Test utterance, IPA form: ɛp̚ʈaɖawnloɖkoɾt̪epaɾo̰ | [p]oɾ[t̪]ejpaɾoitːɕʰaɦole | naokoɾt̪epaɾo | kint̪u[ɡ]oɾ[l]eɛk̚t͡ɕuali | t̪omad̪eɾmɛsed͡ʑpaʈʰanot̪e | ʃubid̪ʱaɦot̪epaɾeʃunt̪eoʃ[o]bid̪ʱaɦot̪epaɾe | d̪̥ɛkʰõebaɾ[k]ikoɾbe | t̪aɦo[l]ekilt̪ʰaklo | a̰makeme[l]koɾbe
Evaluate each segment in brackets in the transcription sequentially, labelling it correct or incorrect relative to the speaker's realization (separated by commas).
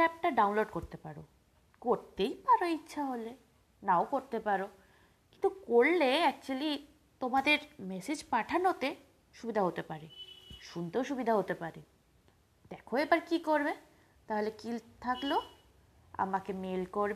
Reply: incorrect, correct, incorrect, correct, incorrect, correct, correct, correct